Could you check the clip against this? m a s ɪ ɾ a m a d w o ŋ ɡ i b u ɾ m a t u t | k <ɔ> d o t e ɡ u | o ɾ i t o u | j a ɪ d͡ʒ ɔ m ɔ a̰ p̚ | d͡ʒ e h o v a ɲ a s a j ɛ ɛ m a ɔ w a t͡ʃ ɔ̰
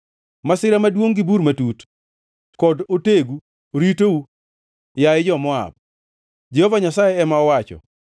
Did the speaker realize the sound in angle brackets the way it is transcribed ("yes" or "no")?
yes